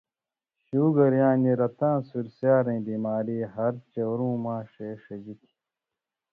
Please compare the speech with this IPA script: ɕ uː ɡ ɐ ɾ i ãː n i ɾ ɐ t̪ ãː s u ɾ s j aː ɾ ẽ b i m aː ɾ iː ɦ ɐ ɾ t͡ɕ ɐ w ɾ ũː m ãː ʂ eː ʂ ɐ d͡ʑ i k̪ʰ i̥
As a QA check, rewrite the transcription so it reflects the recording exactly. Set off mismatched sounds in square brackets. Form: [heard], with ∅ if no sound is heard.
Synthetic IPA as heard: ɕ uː ɡ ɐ ɾ [j] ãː n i ɾ ɐ t̪ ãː s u ɾ s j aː ɾ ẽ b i m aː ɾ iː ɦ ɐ ɾ t͡ɕ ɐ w ɾ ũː m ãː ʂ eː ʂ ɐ d͡ʑ i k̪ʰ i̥